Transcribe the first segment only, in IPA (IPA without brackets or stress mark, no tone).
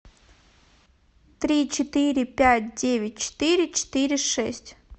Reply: t̪